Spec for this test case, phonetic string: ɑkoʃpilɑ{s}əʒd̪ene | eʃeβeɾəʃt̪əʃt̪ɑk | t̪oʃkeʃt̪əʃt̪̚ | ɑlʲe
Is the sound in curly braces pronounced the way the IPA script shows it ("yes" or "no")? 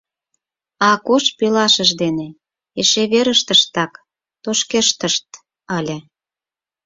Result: no